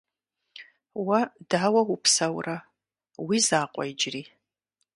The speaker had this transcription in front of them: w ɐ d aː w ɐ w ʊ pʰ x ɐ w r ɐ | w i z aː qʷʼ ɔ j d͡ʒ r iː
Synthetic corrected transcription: w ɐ d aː w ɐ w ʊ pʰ s ɐ w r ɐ | w i z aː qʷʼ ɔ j d͡ʒ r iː